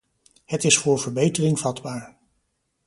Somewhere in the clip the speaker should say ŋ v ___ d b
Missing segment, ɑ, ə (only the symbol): ɑ